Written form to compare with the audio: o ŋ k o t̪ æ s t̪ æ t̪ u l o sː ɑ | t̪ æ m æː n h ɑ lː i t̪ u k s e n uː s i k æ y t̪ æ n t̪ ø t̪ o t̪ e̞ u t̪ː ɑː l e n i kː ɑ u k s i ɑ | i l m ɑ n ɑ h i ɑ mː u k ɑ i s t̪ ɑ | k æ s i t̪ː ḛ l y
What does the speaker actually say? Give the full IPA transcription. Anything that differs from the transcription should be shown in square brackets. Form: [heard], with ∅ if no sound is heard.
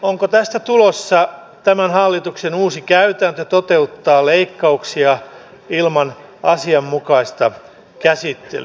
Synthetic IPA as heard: o ŋ k o t̪ æ s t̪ æ t̪ u l o sː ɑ | t̪ æ m [æ] n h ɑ lː i t̪ u k s e n uː s i k æ y t̪ æ n t̪ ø t̪ o t̪ e̞ u t̪ː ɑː l e [∅] i kː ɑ u k s i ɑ | i l m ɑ n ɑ [s] i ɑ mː u k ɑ i s t̪ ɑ | k æ s i t̪ː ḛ l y